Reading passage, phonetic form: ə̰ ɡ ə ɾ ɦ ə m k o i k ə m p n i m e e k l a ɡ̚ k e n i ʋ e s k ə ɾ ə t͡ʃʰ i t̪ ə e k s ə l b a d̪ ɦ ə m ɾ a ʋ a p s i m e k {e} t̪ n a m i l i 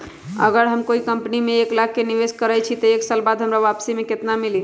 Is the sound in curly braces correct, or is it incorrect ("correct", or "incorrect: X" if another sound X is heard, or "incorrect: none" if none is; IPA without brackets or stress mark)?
correct